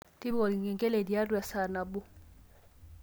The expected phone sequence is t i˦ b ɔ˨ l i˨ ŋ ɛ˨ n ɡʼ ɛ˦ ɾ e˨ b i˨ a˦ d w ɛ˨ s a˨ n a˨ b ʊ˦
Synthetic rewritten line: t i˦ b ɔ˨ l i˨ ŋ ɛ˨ ŋ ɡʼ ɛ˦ l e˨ d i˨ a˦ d w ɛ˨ s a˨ n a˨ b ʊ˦